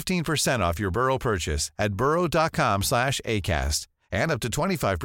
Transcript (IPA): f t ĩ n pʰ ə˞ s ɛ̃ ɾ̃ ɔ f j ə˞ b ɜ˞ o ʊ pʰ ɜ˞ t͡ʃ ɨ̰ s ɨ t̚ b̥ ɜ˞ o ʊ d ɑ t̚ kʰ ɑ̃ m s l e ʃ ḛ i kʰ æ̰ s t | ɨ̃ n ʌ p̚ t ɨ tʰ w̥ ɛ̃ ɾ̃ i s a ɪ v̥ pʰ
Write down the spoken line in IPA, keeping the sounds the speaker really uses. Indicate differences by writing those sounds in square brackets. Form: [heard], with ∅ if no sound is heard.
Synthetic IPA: f t ĩ n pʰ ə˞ s ɛ̃ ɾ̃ ɔ f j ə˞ b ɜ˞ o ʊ pʰ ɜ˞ t͡ʃ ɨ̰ s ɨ t̚ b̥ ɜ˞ o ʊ d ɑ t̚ kʰ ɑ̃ m s l [æ] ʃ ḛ [ɪ] kʰ æ̰ s t | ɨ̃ n ʌ p̚ t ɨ tʰ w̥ ɛ̃ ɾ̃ i [f] a ɪ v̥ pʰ